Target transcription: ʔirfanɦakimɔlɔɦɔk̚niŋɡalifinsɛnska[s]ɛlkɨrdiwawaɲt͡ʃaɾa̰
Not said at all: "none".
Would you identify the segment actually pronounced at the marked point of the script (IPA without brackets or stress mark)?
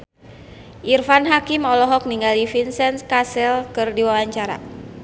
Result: s